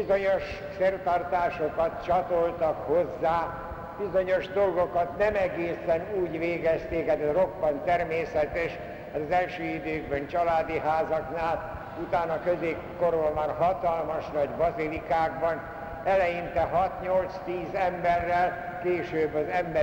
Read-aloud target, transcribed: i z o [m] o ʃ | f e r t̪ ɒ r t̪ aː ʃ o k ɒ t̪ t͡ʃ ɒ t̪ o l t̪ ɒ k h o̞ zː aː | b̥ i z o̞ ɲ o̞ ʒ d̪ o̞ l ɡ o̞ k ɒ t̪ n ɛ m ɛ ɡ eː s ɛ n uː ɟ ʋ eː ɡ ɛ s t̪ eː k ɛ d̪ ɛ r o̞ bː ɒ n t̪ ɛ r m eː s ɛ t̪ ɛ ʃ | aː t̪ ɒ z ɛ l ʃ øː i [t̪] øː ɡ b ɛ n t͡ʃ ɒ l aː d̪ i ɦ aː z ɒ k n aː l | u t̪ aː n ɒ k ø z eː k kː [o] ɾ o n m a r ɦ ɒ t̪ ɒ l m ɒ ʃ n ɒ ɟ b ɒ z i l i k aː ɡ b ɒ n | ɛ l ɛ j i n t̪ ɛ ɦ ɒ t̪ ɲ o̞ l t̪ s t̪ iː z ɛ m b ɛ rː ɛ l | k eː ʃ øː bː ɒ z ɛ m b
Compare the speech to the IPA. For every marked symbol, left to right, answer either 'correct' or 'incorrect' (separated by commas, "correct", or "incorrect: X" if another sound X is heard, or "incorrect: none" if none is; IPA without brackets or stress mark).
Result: incorrect: ɲ, incorrect: d̪, correct